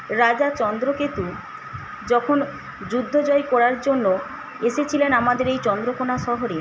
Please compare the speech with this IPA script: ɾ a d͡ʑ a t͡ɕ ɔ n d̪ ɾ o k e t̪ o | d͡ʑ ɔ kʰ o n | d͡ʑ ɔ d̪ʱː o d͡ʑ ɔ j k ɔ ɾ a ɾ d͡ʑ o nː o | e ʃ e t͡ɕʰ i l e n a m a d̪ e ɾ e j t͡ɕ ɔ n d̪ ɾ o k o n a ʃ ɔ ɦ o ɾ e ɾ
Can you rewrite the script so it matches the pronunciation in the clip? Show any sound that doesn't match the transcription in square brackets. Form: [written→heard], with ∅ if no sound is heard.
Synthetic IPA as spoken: ɾ a d͡ʑ a t͡ɕ ɔ n d̪ ɾ o k e t̪ [o→u] | d͡ʑ ɔ kʰ o n | d͡ʑ [ɔ→u] d̪ʱː o d͡ʑ ɔ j k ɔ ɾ a ɾ d͡ʑ o nː o | e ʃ e t͡ɕʰ i l e n a m a d̪ e ɾ e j t͡ɕ ɔ n d̪ ɾ o k o n a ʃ ɔ ɦ o ɾ e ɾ